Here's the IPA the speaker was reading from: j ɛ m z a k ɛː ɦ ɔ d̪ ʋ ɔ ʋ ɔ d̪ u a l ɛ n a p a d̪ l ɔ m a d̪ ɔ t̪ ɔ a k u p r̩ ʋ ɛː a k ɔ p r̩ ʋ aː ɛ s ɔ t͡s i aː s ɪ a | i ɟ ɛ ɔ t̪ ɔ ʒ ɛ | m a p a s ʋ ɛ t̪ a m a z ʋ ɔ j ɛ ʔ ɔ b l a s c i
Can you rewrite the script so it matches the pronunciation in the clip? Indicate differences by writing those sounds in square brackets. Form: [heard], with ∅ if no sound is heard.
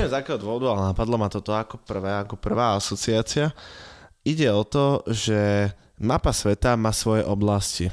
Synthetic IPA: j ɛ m z a k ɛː ɦ ɔ d̪ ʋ ɔ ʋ ɔ d̪ u a l ɛ n a p a d̪ l ɔ m a [t̪] ɔ t̪ ɔ a k [ɔ] p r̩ ʋ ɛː a k ɔ p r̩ ʋ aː [a] s ɔ t͡s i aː [t͡s] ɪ a | i ɟ ɛ ɔ t̪ ɔ ʒ ɛ | m a p a s ʋ ɛ t̪ a m a [s] ʋ ɔ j ɛ ʔ ɔ b l a s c i